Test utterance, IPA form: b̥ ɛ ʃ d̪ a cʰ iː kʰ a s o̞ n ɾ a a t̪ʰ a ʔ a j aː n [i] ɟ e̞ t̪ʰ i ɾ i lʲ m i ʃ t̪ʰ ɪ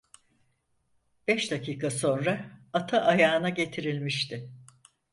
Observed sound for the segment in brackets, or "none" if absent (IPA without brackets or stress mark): a